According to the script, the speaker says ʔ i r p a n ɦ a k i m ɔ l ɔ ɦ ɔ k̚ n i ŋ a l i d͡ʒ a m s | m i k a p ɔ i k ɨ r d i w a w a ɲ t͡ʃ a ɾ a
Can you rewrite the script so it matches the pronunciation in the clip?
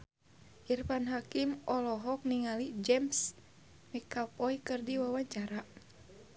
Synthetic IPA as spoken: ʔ i r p a n ɦ a k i m ɔ l ɔ ɦ ɔ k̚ n i ŋ a l i d͡ʒ ɛ m s | m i k a p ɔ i k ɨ r d i w a w a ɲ t͡ʃ a ɾ a